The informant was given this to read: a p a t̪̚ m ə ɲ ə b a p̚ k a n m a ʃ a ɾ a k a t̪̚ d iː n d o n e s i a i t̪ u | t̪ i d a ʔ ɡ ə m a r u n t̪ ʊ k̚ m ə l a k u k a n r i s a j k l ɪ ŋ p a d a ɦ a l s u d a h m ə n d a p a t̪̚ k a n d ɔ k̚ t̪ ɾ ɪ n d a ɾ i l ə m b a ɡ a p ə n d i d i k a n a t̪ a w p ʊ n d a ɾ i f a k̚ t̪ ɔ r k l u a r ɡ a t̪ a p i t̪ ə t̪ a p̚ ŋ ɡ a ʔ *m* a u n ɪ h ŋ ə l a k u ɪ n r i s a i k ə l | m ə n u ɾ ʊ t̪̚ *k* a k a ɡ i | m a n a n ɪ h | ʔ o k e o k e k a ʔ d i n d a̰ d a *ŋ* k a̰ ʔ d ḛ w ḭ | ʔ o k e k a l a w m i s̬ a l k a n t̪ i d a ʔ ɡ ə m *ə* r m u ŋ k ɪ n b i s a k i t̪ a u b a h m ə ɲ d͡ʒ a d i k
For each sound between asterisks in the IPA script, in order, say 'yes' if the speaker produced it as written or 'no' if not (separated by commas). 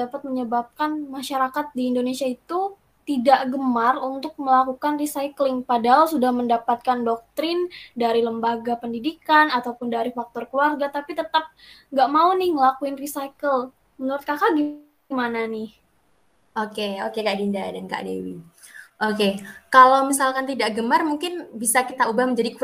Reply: yes, yes, no, no